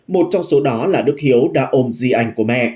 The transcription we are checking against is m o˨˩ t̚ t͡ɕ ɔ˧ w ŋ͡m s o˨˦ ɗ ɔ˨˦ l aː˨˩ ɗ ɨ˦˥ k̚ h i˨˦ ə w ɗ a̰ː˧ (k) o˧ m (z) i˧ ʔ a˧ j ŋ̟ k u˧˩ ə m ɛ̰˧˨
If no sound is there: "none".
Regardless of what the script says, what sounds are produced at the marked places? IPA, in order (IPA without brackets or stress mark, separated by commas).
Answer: ʔ, z